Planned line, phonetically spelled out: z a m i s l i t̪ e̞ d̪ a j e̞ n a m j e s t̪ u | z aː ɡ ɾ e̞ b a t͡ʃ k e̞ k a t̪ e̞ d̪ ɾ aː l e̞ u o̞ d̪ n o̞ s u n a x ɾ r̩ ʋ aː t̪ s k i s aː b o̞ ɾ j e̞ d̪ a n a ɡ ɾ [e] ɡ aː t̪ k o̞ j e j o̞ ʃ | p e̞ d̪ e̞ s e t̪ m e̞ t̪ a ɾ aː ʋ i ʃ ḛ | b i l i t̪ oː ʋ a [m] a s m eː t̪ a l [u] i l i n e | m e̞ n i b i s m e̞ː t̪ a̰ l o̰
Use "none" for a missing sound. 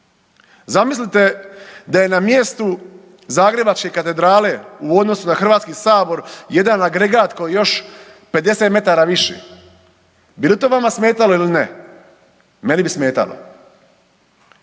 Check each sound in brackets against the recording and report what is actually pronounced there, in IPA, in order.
e, m, o

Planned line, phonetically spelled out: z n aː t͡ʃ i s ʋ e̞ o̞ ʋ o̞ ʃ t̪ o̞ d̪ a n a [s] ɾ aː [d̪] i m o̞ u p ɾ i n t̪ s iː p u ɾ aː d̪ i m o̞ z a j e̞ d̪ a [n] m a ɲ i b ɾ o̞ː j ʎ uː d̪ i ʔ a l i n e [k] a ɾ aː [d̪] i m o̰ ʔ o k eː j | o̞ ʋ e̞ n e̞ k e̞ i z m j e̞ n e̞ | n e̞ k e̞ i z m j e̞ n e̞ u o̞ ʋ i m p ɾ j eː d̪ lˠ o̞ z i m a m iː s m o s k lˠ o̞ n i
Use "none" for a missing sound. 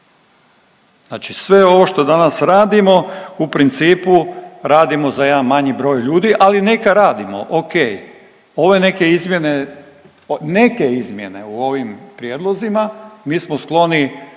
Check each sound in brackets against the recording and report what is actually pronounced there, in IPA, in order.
s, d̪, n, k, d̪

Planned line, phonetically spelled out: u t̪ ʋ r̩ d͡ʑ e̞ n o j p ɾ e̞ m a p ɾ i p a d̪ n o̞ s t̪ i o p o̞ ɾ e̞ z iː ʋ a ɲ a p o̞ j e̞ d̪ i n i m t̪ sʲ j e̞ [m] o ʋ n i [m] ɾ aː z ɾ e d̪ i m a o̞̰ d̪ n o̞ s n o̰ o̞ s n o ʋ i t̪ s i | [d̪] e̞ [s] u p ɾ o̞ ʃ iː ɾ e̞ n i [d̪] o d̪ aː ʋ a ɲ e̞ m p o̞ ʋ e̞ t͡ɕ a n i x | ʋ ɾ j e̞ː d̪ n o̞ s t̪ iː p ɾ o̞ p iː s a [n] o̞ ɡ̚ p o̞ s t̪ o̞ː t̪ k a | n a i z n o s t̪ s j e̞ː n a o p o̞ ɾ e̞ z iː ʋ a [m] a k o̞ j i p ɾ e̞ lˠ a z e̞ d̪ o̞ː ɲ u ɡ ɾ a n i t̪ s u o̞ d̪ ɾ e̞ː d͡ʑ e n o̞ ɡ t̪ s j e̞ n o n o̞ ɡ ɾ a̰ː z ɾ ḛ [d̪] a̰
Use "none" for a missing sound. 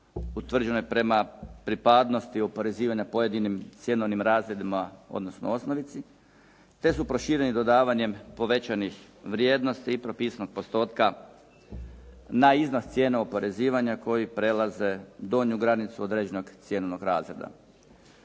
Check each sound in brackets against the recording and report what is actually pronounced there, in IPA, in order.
n, m, t̪, s, d̪, n, ɲ, d̪

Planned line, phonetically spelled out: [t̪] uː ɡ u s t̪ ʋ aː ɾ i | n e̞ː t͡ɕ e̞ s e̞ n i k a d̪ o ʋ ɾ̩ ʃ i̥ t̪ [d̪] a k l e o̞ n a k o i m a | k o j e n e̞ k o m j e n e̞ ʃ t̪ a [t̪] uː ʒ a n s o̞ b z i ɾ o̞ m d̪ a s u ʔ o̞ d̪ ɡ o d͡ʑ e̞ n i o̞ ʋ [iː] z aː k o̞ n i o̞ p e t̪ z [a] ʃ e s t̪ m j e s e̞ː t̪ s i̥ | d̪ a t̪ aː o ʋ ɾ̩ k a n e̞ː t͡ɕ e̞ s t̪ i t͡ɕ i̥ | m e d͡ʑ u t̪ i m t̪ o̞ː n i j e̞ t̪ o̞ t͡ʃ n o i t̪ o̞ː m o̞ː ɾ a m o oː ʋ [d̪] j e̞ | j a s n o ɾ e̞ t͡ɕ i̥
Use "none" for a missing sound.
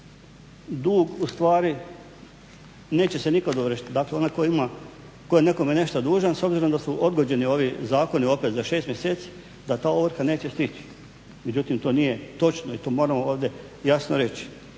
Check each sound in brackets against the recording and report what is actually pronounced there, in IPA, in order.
d̪, d̪, d̪, i, a, d̪

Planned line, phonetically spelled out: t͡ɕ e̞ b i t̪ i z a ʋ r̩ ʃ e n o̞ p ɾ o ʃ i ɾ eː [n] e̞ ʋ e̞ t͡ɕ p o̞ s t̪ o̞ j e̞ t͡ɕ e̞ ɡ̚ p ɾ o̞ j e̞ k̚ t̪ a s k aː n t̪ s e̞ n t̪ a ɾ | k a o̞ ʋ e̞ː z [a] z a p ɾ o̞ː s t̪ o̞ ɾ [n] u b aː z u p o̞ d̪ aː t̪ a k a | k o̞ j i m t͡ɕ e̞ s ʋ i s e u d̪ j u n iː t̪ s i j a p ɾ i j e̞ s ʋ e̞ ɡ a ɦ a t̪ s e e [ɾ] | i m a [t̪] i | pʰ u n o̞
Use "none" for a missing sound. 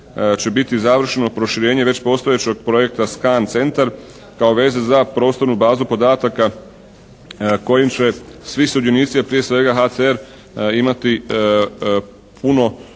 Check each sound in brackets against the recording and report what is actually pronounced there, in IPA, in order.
ɲ, e, n, ɾ, t̪

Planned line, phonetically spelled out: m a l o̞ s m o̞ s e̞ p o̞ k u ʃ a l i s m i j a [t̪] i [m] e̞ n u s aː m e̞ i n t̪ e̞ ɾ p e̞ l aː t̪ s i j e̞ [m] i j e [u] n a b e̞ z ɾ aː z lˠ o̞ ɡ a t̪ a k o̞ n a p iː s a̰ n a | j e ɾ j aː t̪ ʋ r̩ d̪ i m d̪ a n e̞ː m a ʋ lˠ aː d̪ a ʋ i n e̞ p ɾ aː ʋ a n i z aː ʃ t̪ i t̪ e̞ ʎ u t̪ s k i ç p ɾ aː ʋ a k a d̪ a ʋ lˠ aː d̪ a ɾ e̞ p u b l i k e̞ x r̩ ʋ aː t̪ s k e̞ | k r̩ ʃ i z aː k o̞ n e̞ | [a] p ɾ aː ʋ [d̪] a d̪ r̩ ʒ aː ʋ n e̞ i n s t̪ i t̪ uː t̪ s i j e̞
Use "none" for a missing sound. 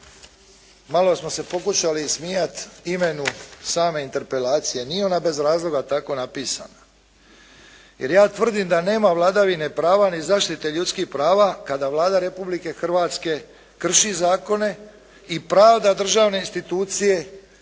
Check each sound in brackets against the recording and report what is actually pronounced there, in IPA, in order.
t̪, m, n, o, i, d̪

